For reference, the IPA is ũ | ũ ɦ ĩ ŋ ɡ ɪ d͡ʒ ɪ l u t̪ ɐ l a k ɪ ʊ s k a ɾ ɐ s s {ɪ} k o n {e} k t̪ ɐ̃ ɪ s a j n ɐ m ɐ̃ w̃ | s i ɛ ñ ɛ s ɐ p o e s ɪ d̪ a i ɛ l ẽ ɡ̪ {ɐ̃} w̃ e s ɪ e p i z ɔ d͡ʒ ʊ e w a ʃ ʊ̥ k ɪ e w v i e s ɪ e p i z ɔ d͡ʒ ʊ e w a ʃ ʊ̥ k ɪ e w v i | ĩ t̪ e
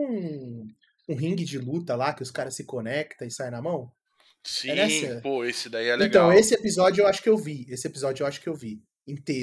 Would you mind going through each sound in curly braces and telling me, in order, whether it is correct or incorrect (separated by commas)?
correct, incorrect, correct